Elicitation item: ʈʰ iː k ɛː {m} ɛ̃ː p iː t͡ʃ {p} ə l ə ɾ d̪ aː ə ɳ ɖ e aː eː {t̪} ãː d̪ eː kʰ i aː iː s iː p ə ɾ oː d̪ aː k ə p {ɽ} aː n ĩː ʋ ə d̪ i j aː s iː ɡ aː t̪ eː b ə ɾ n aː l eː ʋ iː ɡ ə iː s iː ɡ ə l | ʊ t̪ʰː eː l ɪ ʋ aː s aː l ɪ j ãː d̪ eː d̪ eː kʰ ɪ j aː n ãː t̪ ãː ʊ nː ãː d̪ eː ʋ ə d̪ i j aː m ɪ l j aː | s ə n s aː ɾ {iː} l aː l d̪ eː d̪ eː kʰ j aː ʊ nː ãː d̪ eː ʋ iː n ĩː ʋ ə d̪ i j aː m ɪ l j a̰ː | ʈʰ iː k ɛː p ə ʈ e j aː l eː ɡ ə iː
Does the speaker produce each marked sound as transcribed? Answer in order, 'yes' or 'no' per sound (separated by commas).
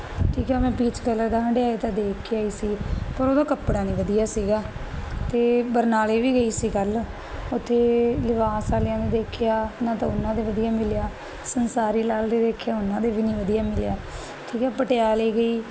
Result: yes, no, yes, yes, yes